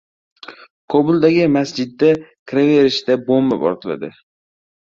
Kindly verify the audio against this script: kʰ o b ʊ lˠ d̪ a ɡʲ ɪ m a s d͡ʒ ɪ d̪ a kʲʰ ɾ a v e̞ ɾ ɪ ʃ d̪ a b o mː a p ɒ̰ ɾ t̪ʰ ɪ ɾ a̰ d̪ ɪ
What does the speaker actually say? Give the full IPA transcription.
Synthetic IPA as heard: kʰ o b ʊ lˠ d̪ a ɡʲ ɪ m a s d͡ʒ ɪ d̪ː a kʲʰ ɾ a v e̞ ɾ ɪ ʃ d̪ a b o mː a p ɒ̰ ɾ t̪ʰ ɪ l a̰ d̪ ɪ